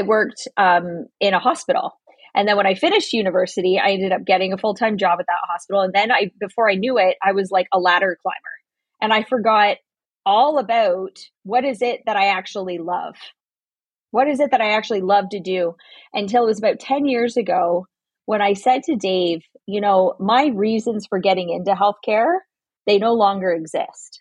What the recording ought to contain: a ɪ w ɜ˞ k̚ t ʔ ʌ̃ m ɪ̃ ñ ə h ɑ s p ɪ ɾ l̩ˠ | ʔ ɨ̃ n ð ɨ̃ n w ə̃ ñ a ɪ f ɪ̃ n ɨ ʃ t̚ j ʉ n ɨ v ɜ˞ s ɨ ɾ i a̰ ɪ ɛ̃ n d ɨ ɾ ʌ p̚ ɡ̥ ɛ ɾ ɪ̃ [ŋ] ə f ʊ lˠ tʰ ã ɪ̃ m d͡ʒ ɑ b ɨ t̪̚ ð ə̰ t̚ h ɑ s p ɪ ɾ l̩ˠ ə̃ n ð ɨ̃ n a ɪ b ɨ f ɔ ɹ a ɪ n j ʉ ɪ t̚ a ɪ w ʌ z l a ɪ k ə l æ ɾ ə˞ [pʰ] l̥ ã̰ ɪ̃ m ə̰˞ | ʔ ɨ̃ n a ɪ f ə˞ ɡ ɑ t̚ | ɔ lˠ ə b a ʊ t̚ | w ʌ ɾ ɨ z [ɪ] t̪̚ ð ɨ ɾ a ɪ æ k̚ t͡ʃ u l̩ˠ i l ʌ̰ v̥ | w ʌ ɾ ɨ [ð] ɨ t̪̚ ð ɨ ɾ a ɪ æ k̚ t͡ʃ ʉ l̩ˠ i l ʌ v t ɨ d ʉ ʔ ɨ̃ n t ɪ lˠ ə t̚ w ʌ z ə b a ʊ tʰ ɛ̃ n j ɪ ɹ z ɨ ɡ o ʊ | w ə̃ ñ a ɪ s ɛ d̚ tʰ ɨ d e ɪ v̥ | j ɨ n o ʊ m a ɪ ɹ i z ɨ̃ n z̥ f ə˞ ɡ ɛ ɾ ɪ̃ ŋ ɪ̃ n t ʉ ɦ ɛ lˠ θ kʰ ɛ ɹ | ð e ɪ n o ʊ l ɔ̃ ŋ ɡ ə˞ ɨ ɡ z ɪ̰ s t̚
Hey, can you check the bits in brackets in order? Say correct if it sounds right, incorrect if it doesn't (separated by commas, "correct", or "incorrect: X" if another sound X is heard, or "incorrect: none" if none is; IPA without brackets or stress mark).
correct, incorrect: kʰ, correct, incorrect: z